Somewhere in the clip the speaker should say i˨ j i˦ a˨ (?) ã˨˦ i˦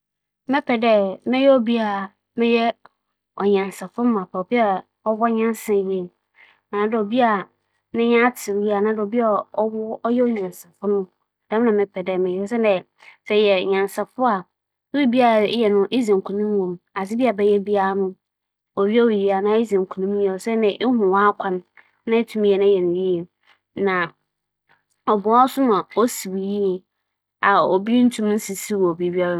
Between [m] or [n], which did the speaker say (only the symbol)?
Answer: n